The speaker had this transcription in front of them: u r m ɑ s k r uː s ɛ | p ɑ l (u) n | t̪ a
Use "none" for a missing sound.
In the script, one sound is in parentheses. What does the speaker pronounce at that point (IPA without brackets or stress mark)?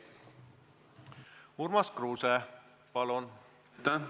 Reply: o